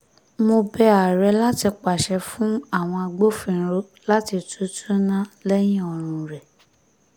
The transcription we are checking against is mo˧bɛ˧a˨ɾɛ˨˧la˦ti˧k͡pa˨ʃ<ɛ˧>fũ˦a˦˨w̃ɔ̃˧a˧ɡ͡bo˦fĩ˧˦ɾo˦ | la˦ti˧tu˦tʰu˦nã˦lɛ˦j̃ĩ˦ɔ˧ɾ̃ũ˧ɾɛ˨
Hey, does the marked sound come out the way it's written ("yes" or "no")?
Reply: yes